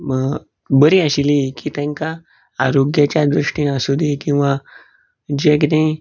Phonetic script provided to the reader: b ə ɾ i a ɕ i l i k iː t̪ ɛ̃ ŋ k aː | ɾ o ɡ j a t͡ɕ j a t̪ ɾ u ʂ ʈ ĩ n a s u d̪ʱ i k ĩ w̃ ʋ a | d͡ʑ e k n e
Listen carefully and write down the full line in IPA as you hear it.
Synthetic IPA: b ə ɾ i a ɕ i l i k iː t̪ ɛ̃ ŋ k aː | ɾ o ɡ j a t͡ɕ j a d̪ ɾ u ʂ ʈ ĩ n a s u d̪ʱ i k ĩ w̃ ʋ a | d͡ʑ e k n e